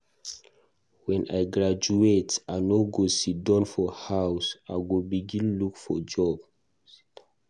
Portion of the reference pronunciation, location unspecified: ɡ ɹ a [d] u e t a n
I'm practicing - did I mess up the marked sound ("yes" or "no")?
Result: yes